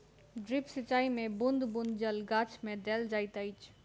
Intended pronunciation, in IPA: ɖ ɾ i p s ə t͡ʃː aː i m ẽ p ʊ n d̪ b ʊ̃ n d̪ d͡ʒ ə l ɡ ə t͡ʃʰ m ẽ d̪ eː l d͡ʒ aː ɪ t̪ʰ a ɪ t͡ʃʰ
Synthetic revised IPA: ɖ ɾ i p s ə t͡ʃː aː i m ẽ b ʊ n d̪ b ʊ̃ n d̪ d͡ʒ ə l ɡ a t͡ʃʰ m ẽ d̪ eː l d͡ʒ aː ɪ t̪ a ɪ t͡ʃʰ